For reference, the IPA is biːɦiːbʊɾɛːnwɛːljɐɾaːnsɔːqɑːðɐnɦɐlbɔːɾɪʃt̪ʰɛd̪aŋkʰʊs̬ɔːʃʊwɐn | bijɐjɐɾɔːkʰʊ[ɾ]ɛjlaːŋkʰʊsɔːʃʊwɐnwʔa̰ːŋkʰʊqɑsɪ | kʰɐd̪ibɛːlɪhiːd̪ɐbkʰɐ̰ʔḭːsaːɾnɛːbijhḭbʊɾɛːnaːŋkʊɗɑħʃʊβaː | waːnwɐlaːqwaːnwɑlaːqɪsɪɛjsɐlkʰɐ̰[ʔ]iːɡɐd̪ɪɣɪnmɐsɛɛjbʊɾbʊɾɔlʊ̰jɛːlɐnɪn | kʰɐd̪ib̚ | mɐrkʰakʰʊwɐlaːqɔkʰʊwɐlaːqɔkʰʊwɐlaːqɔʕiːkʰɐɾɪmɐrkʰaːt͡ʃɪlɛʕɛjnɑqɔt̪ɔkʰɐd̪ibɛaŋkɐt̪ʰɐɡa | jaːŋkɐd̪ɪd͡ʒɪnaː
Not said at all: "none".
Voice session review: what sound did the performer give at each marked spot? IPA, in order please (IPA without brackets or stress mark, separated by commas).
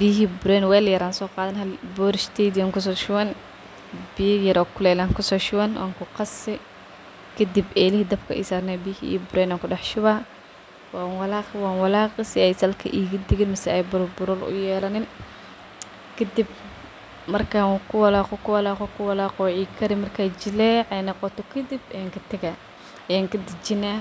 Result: l, ʔ